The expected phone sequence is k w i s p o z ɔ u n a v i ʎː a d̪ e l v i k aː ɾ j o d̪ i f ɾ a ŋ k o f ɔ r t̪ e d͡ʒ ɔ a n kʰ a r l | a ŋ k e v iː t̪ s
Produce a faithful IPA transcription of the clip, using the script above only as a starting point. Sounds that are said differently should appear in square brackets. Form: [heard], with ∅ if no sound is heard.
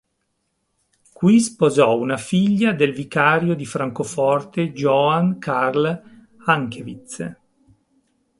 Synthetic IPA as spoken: k w i s p o z ɔ u n a [f] i ʎː a d̪ e l v i k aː ɾ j o d̪ i f ɾ a ŋ k o f ɔ r t̪ e d͡ʒ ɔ a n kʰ a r l | a ŋ k e v [i] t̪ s

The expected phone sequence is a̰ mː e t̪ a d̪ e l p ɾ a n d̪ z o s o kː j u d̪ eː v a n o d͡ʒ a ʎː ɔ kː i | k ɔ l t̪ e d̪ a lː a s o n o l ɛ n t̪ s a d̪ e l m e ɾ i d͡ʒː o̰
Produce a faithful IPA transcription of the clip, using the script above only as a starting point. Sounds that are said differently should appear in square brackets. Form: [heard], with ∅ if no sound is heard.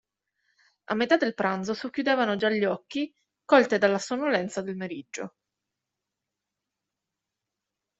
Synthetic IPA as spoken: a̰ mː e t̪ a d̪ e l p ɾ a n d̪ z o s o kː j u d̪ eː v a n o d͡ʒ a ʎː ɔ kː i | k ɔ l t̪ e d̪ a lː a s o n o l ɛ n t̪ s a d̪ e l m e ɾ i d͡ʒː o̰

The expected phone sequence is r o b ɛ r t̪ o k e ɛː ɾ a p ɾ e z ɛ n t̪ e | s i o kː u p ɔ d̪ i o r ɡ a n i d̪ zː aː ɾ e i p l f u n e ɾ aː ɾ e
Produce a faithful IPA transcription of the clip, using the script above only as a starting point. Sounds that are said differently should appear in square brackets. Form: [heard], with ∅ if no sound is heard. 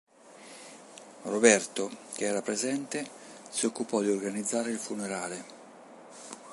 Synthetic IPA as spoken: r o b ɛ r t̪ o k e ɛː ɾ a p ɾ e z ɛ n t̪ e | s i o kː u p ɔ d̪ i o r ɡ a n i d̪ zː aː ɾ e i [∅] l f u n e ɾ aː [l] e

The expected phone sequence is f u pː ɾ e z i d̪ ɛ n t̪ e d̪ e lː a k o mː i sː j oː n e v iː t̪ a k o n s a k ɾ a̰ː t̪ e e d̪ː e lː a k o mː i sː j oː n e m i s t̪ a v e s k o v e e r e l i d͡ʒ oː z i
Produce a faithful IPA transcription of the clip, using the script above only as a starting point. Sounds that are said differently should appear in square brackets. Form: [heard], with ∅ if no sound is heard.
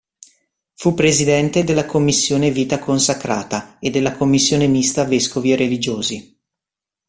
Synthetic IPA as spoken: f u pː ɾ e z i d̪ ɛ n t̪ e d̪ e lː a k o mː i sː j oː n e v iː t̪ a k o n s a k ɾ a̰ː t̪ [a] e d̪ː e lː a k o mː i sː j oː n e m i s t̪ a v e s k o v [i] e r e l i d͡ʒ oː z i

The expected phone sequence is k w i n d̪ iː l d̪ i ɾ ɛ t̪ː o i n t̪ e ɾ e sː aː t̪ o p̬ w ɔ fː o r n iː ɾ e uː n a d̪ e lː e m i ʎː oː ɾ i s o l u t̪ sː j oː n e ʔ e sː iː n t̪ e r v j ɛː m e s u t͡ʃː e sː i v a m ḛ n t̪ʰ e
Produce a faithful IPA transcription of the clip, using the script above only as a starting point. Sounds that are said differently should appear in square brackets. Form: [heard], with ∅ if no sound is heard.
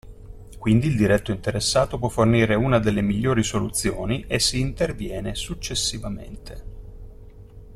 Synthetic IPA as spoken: k w i n d̪ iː l d̪ i ɾ ɛ t̪ː o i n t̪ e ɾ e sː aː t̪ o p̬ w ɔ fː o r n iː ɾ e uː n a d̪ e lː e m i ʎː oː ɾ i s o l u t̪ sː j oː n [i] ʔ e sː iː n t̪ e r v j ɛː [n] e s u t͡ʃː e sː i v a m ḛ n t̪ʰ e

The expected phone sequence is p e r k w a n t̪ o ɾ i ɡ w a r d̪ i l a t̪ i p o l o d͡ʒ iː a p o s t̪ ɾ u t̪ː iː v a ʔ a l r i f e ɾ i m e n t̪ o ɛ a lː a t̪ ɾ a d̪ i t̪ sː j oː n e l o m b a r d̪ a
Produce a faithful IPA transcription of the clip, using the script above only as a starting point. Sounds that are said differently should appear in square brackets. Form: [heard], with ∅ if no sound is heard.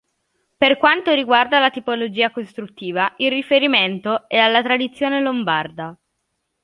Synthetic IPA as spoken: p e r k w a n t̪ o ɾ i ɡ w a r d̪ [a] l a t̪ i p o l o d͡ʒ iː a [k] o s t̪ ɾ u t̪ː iː v a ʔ [i] l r i f e ɾ i m e n t̪ o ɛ a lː a t̪ ɾ a d̪ i t̪ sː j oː n e l o m b a r d̪ a

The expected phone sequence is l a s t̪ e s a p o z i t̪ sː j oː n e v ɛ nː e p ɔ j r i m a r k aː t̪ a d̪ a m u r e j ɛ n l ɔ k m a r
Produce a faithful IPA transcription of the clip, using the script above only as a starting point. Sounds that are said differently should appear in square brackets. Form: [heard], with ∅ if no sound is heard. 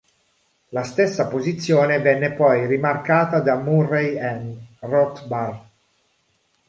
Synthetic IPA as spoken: l a s t̪ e [sː] a p o z i t̪ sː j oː n e v ɛ nː e p ɔ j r i m a r k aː t̪ a d̪ a m u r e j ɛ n [r] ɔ k [b] a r

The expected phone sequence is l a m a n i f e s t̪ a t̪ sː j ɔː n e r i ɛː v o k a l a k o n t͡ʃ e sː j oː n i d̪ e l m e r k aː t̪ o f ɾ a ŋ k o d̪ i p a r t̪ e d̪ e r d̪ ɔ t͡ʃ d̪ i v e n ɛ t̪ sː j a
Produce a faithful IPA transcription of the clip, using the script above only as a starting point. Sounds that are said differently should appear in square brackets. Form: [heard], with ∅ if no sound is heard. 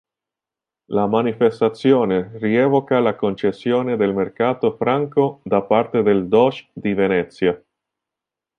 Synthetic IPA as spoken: l a m a n i f e s t̪ a t̪ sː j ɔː n e r i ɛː v o k a l a k o n t͡ʃ e sː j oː n [e] d̪ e l m e r k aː t̪ o f ɾ a ŋ k o d̪ [a] p a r t̪ e d̪ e [l] d̪ ɔ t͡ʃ d̪ i v e n ɛ t̪ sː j a

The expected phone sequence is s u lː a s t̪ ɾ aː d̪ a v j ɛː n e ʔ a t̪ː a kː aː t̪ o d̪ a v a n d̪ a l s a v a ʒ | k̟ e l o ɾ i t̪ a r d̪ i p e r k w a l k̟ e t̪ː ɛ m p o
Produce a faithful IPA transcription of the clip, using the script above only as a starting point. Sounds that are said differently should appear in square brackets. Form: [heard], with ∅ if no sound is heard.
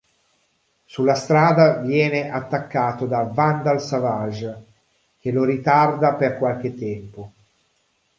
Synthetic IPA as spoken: s u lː a s t̪ ɾ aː d̪ a v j ɛː n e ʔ a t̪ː a kː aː t̪ o d̪ a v a n d̪ a l s a v a ʒ | k̟ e l o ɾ i t̪ a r d̪ [a] p e r k w a l k̟ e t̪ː ɛ m p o

